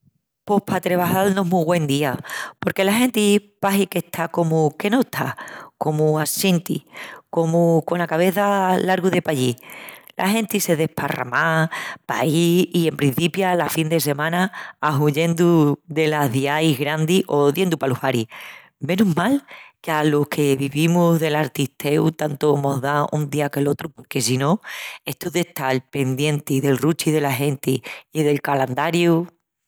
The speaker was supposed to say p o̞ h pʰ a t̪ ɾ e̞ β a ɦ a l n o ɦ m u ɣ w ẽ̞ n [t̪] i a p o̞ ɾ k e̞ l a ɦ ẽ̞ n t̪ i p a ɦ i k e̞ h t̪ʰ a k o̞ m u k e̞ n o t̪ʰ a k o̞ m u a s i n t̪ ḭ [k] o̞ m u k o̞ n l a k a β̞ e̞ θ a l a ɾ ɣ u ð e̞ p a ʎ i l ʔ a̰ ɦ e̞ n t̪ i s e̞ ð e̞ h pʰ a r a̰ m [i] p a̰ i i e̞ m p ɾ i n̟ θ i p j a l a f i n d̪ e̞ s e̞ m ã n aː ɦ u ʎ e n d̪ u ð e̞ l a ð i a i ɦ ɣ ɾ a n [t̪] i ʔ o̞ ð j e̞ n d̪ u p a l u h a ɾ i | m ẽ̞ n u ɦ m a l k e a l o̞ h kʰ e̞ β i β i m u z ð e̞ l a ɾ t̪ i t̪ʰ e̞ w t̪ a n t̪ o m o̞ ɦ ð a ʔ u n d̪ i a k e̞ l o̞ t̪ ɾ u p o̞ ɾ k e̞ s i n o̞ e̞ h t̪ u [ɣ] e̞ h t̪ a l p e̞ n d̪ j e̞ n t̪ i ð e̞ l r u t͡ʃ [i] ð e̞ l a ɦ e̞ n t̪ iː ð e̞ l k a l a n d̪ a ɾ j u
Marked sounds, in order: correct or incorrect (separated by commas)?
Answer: incorrect, correct, incorrect, incorrect, incorrect, correct